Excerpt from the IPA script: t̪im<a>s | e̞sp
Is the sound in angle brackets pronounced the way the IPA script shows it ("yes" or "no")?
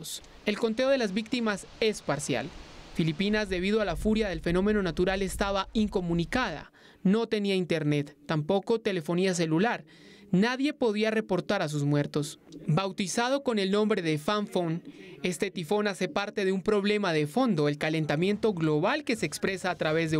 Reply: yes